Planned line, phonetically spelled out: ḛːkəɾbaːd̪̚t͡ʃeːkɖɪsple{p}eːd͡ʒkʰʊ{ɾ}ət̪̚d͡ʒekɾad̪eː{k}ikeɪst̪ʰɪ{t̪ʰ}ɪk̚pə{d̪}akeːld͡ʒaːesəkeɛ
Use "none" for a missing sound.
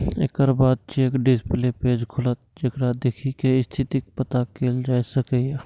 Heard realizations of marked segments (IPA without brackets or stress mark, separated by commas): p, l, kʰ, t̪, t̪